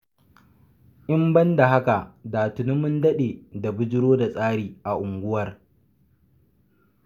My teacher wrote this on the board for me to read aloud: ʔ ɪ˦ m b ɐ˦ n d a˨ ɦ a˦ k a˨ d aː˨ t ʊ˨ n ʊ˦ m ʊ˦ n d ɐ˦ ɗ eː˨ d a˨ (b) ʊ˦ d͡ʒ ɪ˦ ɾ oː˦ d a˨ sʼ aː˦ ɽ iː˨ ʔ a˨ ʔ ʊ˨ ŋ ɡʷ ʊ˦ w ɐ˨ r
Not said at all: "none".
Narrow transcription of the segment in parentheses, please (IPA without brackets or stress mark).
b